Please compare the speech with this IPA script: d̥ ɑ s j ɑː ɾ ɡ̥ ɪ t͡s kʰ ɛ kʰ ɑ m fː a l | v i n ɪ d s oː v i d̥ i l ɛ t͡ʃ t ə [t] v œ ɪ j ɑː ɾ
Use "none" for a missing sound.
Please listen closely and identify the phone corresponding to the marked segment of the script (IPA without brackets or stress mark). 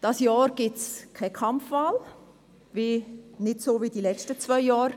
t͡s